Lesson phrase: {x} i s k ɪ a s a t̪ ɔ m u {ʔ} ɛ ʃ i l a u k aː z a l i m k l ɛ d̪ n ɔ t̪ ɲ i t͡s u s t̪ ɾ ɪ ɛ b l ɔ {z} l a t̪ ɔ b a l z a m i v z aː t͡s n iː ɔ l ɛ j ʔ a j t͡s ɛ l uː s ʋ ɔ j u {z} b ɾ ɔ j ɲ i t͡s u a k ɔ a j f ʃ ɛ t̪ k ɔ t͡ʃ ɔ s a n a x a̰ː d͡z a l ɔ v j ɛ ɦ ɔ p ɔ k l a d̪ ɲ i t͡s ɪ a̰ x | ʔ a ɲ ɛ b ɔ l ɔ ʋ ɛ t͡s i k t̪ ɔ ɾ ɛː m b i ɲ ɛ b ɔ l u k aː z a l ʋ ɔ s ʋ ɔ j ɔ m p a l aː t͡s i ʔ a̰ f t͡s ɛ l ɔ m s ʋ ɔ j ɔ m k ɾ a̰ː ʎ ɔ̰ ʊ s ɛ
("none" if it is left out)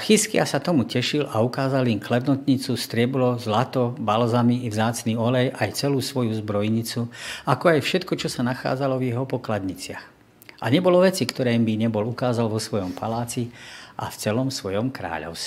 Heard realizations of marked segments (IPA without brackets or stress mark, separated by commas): x, c, z, z